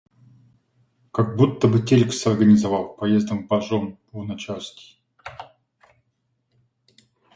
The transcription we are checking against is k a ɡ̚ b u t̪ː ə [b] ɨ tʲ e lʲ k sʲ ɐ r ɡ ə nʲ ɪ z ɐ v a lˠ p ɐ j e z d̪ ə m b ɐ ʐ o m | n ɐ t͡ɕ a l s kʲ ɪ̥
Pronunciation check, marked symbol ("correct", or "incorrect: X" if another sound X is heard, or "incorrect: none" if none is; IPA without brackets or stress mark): correct